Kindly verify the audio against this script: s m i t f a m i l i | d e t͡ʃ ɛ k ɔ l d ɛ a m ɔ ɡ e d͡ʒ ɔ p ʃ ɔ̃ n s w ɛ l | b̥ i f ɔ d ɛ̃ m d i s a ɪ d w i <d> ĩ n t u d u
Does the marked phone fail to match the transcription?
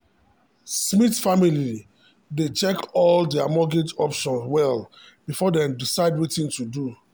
yes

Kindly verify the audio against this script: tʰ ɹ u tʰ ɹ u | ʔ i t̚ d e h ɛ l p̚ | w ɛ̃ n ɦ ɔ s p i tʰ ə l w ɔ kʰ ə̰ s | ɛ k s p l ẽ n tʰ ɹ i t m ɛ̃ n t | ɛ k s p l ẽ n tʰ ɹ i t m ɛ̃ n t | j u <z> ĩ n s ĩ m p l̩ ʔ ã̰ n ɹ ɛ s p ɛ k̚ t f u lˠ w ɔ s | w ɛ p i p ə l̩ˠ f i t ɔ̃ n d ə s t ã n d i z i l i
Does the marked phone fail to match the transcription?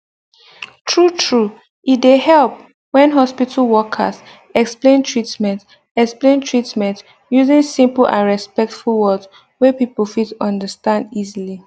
no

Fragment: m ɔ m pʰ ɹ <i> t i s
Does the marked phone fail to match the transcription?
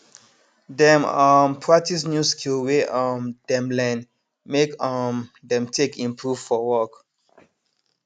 yes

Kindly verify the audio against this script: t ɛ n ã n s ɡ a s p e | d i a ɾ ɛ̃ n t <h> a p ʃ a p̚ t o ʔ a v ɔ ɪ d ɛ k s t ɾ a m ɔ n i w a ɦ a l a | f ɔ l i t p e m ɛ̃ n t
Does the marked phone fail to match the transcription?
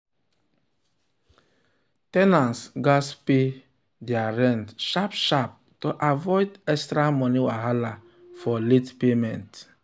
yes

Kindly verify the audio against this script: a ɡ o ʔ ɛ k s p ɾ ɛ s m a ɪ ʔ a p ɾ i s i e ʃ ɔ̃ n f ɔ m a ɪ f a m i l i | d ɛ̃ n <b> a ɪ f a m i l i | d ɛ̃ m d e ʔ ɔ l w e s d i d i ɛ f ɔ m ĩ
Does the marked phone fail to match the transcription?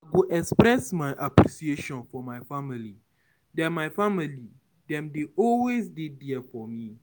yes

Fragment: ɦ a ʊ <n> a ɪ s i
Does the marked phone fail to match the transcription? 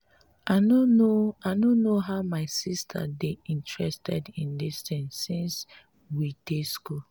yes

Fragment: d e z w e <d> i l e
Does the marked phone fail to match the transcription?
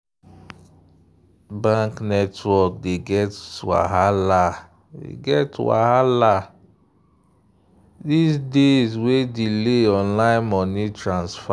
no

